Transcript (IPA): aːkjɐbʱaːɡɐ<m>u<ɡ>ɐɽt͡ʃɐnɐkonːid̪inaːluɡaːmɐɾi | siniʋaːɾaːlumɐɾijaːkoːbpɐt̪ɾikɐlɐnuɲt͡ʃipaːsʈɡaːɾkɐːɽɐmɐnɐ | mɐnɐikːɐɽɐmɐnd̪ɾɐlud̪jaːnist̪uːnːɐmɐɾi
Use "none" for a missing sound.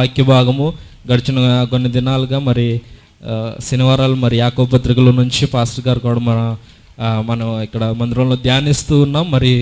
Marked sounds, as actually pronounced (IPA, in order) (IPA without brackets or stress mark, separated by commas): m, ɡ